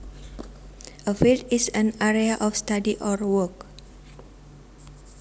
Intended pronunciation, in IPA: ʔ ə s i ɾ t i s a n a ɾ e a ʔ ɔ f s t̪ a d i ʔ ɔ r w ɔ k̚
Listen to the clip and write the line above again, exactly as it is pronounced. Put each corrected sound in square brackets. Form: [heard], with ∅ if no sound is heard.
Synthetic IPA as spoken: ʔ ə [f] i [l] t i s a n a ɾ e a ʔ ɔ f s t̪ a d i ʔ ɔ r w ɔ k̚